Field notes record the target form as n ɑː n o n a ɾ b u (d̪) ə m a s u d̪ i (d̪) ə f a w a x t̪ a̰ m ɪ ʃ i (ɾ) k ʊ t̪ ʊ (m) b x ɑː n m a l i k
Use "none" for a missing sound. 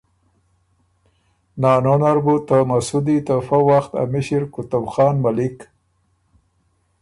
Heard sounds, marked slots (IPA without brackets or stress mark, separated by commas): t̪, t̪, ɾ, none